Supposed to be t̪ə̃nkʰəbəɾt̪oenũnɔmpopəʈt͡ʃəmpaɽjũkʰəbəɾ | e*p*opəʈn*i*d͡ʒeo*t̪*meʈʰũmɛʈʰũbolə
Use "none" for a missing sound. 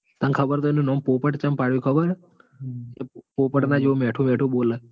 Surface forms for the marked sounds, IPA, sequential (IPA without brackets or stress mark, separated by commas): p, a, none